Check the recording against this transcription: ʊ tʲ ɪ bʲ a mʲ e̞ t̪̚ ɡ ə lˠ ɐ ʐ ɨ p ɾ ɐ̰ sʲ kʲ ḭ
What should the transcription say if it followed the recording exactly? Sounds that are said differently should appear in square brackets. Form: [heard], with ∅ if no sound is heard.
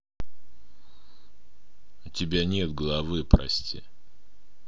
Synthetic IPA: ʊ tʲ ɪ bʲ a [nʲ] e̞ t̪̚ ɡ ə lˠ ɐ [v] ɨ p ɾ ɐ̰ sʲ [tʲ] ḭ